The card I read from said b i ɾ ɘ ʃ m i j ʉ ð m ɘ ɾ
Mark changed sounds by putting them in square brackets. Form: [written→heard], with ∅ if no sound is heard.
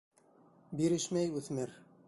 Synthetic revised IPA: b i ɾ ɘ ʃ m [i→æ] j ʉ [ð→θ] m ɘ ɾ